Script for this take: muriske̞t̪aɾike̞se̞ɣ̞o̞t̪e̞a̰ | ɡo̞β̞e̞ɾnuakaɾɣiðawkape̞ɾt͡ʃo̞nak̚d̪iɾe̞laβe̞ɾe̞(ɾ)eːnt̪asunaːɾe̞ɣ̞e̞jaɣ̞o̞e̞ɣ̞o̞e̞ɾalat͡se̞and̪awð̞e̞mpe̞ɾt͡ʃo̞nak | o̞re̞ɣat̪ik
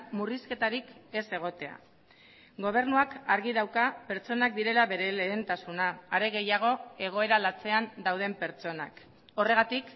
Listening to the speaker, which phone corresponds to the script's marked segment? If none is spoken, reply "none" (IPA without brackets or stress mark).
l